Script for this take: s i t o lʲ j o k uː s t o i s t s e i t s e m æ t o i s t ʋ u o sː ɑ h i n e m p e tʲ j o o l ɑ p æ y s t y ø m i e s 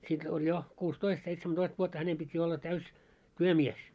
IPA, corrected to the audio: s i t o lʲ j o k uː s t o i s t s e i t s e m æ t o i s t ʋ u o tː ɑ h æ n e m p i tʲ j o o lː ɑ t æ y s t y ø m i e s